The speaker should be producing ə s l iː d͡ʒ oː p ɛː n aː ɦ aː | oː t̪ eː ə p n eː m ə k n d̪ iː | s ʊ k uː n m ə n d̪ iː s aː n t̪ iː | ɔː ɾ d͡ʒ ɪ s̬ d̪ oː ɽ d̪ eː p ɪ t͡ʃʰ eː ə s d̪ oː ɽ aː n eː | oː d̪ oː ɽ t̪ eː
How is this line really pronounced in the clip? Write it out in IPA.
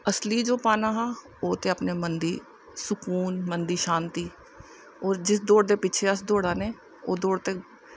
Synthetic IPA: ə s l iː d͡ʒ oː p aː n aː ɦ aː | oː t̪ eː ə p n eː m ə n d̪ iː | s ʊ k uː n m ə n d̪ iː ʃ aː n t̪ iː | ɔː ɾ d͡ʒ ɪ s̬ d̪ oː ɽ d̪ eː p ɪ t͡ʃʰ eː ə s d̪ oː ɽ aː n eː | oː d̪ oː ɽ t̪ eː